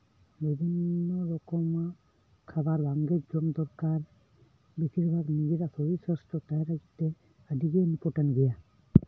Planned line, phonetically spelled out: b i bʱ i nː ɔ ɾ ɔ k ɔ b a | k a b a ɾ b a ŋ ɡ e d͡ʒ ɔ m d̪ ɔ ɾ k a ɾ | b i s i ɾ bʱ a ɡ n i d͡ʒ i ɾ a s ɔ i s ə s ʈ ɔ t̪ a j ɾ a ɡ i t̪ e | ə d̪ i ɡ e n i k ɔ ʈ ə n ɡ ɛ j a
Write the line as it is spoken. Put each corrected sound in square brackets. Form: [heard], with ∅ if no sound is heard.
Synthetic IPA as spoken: b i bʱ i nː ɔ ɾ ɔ k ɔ [m] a | [kʰ] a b a ɾ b a ŋ ɡ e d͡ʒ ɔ m d̪ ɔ ɾ k a ɾ | b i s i ɾ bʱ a ɡ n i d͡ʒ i ɾ a s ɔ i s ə s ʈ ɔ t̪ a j ɾ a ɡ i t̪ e | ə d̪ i ɡ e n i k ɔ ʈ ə n ɡ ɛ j a